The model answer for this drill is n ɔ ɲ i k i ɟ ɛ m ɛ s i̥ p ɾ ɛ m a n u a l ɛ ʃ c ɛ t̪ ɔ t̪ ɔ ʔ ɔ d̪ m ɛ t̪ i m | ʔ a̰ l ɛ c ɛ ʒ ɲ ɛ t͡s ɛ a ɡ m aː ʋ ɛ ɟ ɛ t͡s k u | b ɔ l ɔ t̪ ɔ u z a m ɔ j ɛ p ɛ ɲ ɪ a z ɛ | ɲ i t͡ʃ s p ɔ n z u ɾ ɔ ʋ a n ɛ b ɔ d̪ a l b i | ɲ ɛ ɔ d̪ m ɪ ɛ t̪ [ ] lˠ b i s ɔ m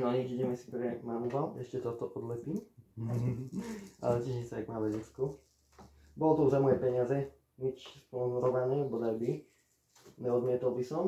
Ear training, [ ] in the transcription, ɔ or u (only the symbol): ɔ